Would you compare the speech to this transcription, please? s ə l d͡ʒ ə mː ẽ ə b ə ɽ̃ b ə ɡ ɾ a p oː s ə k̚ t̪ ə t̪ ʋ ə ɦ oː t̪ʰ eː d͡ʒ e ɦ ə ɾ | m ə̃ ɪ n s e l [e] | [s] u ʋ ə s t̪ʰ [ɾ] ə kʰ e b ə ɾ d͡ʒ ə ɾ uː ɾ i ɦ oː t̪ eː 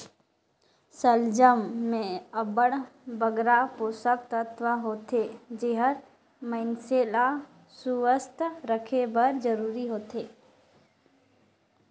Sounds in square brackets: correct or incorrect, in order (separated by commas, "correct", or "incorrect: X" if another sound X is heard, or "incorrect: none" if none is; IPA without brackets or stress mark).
incorrect: a, correct, correct